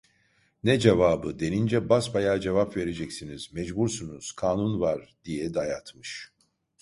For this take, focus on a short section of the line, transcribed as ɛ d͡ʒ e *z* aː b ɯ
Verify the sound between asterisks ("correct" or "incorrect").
incorrect